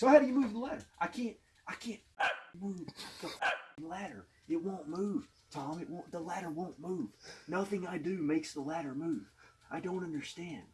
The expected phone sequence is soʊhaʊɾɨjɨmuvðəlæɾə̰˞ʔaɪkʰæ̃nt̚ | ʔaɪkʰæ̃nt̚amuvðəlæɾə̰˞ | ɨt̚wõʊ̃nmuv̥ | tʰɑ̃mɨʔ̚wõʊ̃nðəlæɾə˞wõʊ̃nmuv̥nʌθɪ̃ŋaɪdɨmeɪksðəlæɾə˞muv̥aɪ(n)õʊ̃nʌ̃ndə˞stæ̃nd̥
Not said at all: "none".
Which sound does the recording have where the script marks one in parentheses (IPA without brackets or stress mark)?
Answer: d